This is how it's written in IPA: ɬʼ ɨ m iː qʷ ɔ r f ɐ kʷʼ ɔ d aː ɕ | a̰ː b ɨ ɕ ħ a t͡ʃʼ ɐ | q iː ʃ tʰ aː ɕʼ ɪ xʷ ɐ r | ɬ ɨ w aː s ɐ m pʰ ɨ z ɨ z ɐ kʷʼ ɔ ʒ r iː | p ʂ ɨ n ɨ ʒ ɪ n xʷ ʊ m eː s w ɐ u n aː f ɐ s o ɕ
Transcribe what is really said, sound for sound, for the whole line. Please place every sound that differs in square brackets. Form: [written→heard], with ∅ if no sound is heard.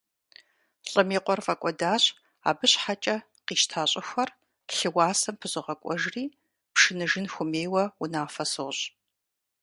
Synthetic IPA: ɬʼ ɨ m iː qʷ ɔ r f ɐ kʷʼ ɔ d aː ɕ | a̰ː b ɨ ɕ ħ a t͡ʃʼ ɐ | q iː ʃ tʰ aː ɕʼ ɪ xʷ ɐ r | ɬ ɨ w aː s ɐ m pʰ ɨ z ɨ [z→ʁ] ɐ kʷʼ ɔ ʒ r iː | p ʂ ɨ n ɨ ʒ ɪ n xʷ ʊ m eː [s→∅] w ɐ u n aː f ɐ s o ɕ